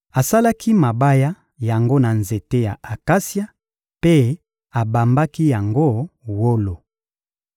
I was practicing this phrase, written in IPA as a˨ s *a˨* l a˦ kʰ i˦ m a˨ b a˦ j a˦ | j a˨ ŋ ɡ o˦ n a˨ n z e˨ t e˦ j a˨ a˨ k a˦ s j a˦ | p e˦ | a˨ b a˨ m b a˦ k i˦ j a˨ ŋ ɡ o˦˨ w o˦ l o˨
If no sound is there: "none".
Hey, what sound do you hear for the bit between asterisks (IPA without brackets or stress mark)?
a˦